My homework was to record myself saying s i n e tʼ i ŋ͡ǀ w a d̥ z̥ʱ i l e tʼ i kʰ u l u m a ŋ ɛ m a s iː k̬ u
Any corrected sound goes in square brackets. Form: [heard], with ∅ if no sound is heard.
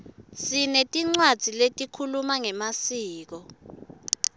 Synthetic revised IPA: s i n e tʼ i ŋ͡ǀ w a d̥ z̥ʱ i l e tʼ i kʰ u l u m a ŋ ɛ m a s iː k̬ [ɔ]

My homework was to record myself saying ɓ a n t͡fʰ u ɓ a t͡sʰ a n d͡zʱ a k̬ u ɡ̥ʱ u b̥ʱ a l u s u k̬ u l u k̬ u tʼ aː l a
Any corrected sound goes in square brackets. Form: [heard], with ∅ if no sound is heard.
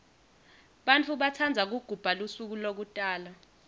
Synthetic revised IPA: ɓ a n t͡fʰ u ɓ a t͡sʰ a n d͡zʱ a k̬ u ɡ̥ʱ u b̥ʱ a l u s u k̬ u l [o] k̬ u tʼ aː l a

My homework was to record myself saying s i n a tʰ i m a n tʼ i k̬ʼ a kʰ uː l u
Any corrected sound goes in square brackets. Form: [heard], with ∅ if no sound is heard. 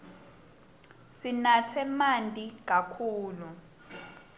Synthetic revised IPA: s i n a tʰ [ɛ] m a n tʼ i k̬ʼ a kʰ uː l u

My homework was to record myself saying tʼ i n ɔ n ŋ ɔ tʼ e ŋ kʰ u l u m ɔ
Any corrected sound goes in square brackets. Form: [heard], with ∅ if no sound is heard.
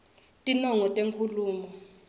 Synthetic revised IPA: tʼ i n ɔ [∅] ŋ ɔ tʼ e ŋ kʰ u l [uː] m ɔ

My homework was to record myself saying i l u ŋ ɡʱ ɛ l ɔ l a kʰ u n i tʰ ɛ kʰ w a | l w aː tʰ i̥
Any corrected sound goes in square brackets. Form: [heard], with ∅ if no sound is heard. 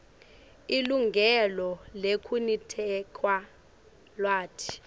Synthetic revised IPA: i l u ŋ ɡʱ ɛ l ɔ l [e] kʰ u n i tʰ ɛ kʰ w a | l w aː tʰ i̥

